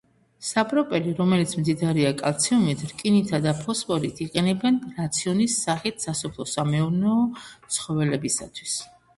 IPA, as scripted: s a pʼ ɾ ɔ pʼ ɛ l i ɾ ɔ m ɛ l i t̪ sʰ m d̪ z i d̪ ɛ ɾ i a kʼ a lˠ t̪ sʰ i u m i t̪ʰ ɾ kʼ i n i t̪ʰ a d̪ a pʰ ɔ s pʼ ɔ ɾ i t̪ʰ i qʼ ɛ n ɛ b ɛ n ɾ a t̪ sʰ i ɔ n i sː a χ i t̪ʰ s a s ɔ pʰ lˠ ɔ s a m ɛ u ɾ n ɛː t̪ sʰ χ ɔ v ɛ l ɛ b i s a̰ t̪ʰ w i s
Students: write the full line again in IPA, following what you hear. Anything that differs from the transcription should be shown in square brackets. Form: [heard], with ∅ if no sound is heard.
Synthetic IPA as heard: s a pʼ ɾ ɔ pʼ ɛ l i ɾ ɔ m ɛ l i t̪ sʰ m d̪ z i d̪ [a] ɾ i a kʼ a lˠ t̪ sʰ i u m i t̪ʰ ɾ kʼ i n i t̪ʰ a d̪ a pʰ ɔ s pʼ ɔ ɾ i t̪ʰ i qʼ ɛ n ɛ b ɛ n ɾ a t̪ sʰ i ɔ n i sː a χ i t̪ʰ s a s ɔ pʰ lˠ ɔ s a m ɛ u ɾ n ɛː t̪ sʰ χ ɔ v ɛ l ɛ b i s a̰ t̪ʰ w i s